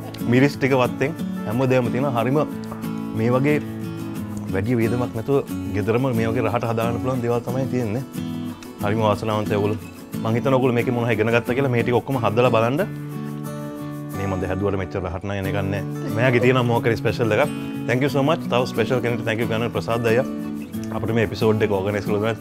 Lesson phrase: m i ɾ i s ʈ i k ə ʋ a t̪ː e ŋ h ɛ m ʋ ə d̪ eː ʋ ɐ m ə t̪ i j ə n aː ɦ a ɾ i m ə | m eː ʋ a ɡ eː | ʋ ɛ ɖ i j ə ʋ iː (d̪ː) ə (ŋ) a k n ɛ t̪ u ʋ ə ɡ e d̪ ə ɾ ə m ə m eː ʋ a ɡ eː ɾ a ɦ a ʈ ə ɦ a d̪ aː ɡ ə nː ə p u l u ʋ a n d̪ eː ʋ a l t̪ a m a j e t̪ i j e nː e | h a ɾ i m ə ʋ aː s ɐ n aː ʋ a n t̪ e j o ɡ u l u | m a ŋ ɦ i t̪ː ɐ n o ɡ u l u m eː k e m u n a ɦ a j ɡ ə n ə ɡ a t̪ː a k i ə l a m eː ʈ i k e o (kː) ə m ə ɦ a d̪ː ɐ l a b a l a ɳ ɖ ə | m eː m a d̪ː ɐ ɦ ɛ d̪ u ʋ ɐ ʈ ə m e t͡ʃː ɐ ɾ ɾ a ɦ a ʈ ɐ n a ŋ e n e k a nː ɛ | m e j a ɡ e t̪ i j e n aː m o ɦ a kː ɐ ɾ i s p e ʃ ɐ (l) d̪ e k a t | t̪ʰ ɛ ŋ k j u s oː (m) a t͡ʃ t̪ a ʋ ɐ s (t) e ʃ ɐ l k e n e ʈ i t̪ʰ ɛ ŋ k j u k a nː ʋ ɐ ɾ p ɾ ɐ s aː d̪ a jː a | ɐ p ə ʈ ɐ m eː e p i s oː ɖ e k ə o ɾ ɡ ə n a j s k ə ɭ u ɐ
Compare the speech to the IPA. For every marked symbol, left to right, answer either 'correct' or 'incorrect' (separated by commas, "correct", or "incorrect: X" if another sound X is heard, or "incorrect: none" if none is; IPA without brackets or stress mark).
incorrect: d̪, incorrect: m, correct, correct, correct, incorrect: p